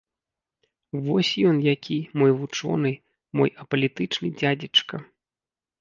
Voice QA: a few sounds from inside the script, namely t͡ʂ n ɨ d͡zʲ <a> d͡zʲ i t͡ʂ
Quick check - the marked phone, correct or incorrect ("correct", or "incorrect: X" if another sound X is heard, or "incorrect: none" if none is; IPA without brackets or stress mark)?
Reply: correct